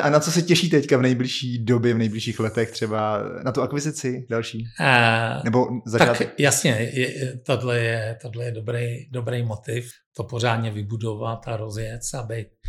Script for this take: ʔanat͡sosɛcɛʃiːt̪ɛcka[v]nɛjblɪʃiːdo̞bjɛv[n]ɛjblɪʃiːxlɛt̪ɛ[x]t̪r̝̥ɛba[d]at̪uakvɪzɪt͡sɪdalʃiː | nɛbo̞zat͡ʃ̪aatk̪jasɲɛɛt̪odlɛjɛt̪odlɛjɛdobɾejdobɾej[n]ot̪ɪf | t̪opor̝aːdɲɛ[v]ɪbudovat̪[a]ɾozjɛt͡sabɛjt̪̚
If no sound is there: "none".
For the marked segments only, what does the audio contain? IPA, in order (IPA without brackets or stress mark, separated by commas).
v, n, x, n, m, v, a